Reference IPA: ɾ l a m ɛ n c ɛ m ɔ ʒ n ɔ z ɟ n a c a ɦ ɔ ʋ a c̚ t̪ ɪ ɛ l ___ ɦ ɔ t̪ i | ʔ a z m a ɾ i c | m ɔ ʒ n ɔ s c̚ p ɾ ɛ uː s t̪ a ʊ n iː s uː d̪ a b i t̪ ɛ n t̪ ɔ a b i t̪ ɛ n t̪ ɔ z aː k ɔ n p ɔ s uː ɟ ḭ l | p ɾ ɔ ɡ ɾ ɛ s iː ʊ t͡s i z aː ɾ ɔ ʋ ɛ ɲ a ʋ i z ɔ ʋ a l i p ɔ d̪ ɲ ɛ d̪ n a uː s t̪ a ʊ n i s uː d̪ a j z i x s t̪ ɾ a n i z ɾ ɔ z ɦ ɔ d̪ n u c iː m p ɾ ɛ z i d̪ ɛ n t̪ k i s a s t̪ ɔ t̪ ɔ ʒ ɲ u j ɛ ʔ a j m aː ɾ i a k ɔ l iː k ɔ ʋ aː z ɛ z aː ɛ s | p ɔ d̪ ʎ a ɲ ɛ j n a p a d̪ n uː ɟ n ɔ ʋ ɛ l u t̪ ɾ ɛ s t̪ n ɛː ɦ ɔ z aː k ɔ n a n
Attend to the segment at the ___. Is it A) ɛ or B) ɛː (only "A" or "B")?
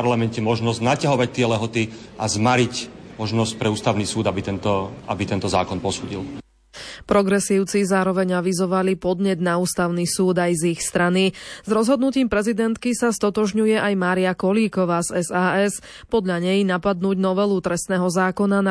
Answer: A